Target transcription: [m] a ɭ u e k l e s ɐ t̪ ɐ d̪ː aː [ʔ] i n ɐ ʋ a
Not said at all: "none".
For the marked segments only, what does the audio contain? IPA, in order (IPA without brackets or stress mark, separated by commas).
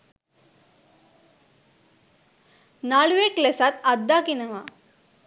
n, k